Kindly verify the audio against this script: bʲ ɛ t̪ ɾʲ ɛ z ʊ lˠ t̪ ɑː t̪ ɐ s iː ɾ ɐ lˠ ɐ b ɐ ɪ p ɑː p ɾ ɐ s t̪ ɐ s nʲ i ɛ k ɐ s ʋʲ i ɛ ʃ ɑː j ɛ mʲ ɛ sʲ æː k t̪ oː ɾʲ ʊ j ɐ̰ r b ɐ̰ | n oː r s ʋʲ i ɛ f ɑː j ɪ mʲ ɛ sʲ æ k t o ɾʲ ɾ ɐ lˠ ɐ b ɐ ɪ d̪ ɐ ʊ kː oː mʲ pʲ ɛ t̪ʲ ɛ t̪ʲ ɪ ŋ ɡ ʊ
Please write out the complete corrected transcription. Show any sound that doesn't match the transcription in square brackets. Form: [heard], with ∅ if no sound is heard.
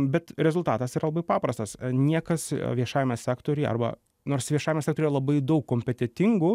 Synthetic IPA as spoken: bʲ ɛ t̪ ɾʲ ɛ z ʊ lˠ t̪ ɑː t̪ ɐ s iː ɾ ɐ lˠ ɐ b ɐ ɪ p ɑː p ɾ ɐ s t̪ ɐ s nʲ i ɛ k ɐ s ʋʲ i ɛ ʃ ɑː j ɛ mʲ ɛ sʲ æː k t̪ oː ɾʲ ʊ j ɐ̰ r b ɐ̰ | n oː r s ʋʲ i ɛ [ʃ] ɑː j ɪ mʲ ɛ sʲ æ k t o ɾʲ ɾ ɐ lˠ ɐ b ɐ ɪ d̪ ɐ ʊ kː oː mʲ pʲ ɛ t̪ʲ ɛ t̪ʲ ɪ ŋ ɡ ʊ